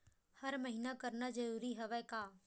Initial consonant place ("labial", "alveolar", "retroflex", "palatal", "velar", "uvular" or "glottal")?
glottal